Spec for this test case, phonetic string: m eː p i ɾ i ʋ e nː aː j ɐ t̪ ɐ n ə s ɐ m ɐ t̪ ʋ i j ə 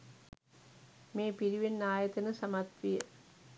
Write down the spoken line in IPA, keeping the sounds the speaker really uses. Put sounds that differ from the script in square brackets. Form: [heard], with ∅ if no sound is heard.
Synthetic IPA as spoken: m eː p i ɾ i ʋ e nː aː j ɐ t̪ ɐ n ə s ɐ m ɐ t̪ ʋ i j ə